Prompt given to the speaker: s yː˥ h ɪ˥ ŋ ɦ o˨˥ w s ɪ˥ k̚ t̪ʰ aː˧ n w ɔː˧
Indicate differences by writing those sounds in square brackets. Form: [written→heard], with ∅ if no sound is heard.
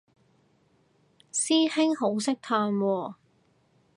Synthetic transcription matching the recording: s [yː˥→iː˥] h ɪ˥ ŋ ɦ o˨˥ w s ɪ˥ k̚ t̪ʰ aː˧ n w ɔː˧